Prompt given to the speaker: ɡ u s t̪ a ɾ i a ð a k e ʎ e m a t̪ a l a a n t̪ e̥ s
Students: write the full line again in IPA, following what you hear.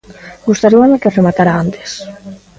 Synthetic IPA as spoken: ɡ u s t̪ a ɾ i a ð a k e r e m a t̪ a ɾ a a n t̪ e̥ s